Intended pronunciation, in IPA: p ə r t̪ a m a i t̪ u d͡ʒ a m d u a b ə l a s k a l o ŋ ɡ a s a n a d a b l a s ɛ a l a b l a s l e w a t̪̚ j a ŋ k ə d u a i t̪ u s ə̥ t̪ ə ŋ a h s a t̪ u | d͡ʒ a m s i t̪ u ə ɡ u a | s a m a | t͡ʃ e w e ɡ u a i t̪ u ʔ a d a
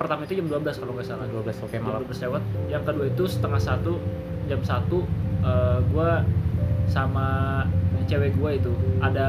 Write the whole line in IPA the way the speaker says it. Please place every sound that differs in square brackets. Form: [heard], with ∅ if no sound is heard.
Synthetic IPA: p ə r t̪ a m a i t̪ u d͡ʒ a m d u a b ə l a s k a l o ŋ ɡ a s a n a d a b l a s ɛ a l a b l a s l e w a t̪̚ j a ŋ k ə d u a i t̪ u s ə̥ t̪ ə ŋ a h s a t̪ u | d͡ʒ a m s [a] t̪ u ə ɡ u a | s a m a | t͡ʃ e w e ɡ u a i t̪ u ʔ a d a